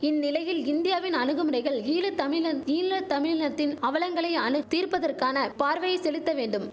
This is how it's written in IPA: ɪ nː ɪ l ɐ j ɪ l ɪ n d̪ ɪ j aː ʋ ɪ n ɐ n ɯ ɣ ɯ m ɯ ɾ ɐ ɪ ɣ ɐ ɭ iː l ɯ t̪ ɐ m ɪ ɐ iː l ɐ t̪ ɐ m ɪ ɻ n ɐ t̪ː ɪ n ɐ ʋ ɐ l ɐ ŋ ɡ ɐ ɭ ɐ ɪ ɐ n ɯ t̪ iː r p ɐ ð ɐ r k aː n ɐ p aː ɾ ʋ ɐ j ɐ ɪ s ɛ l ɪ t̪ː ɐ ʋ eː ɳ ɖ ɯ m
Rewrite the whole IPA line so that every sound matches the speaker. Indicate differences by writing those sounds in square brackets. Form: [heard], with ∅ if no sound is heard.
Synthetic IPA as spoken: ɪ nː ɪ l ɐ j ɪ l ɪ n d̪ ɪ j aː ʋ ɪ n ɐ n ɯ ɣ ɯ m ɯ ɾ ɐ ɪ ɣ ɐ ɭ iː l ɯ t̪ ɐ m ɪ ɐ iː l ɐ t̪ ɐ m ɪ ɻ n ɐ t̪ː ɪ n ɐ ʋ ɐ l ɐ ŋ ɡ ɐ ɭ ɐ ɪ ɐ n ɯ t̪ iː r p ɐ ð ɐ r k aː n ɐ p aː ɾ ʋ ɐ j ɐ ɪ s ɛ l ɪ t̪ː ɐ ʋ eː ɳ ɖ ɯ m

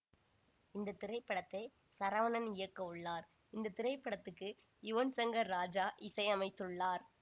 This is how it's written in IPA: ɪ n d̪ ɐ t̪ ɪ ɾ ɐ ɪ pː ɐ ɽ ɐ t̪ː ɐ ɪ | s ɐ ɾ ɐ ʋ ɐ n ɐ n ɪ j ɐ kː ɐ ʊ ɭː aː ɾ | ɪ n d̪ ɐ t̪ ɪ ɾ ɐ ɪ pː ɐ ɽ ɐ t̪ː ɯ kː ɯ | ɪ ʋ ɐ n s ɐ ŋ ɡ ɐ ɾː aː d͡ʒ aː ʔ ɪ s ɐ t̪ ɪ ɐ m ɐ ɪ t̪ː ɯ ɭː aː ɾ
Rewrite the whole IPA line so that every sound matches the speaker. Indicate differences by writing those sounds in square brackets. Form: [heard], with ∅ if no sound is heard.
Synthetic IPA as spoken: ɪ n d̪ ɐ t̪ ɪ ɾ ɐ ɪ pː ɐ ɽ ɐ t̪ː ɐ ɪ | s ɐ ɾ ɐ ʋ ɐ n ɐ n ɪ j ɐ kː ɐ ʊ ɭː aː ɾ | ɪ n d̪ ɐ t̪ ɪ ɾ ɐ ɪ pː ɐ ɽ ɐ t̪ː ɯ kː ɯ | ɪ ʋ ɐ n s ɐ ŋ ɡ ɐ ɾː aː d͡ʒ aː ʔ ɪ s ɐ [∅] ɪ ɐ m ɐ ɪ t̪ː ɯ ɭː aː ɾ

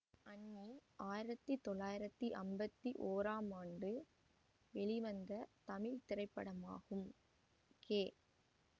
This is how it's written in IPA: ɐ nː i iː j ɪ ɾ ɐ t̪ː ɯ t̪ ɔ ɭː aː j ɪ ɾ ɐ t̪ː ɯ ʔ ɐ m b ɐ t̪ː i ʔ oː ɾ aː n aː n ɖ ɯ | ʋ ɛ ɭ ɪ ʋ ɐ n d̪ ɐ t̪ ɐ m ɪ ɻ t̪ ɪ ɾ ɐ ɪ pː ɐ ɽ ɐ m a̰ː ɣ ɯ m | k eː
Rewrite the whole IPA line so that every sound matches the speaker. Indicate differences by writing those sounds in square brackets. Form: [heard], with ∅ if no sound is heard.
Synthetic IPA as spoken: ɐ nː i [aː] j ɪ ɾ ɐ t̪ː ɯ t̪ ɔ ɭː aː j ɪ ɾ ɐ t̪ː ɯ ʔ ɐ m b ɐ t̪ː i ʔ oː ɾ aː [m] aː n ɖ ɯ | ʋ ɛ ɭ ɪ ʋ ɐ n d̪ ɐ t̪ ɐ m ɪ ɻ t̪ ɪ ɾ ɐ ɪ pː ɐ ɽ ɐ m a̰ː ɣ ɯ m | k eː

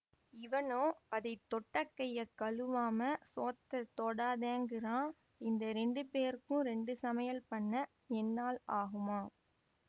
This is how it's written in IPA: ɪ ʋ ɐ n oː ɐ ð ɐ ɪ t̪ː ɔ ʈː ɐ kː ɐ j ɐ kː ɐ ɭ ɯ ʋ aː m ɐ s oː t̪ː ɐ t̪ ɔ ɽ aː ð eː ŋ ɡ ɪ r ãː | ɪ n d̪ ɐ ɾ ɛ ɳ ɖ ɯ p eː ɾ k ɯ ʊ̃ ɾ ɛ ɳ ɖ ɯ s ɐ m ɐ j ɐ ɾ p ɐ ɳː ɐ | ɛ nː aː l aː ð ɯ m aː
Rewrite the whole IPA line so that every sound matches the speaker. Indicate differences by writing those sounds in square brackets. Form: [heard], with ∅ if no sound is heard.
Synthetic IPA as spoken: ɪ ʋ ɐ n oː ɐ ð ɐ ɪ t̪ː ɔ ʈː ɐ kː ɐ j ɐ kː ɐ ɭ ɯ ʋ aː m ɐ s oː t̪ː ɐ t̪ ɔ ɽ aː ð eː ŋ ɡ ɪ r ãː | ɪ n d̪ ɐ ɾ ɛ ɳ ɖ ɯ p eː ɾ k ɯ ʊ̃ ɾ ɛ ɳ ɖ ɯ s ɐ m ɐ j ɐ [l] p ɐ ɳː ɐ | ɛ nː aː l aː [ɣ] ɯ m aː

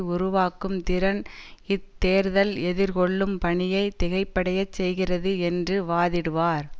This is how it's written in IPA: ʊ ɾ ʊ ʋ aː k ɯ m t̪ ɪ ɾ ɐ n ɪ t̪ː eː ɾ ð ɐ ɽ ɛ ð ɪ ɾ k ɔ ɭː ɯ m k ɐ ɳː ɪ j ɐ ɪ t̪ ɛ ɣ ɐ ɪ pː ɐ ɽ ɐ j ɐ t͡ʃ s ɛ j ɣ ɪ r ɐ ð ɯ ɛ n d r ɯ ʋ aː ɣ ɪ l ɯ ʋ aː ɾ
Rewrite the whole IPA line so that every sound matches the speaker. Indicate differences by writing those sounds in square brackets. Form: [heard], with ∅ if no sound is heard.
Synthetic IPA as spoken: ʊ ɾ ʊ ʋ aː k ɯ m t̪ ɪ ɾ ɐ n ɪ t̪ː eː ɾ ð ɐ [l] ɛ ð ɪ ɾ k ɔ ɭː ɯ m [p] ɐ [ɳ] ɪ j ɐ ɪ t̪ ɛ ɣ ɐ ɪ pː ɐ ɽ ɐ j ɐ t͡ʃ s ɛ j ɣ ɪ r ɐ ð ɯ ɛ n d r ɯ ʋ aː [ð] ɪ [ɽ] ɯ ʋ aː ɾ

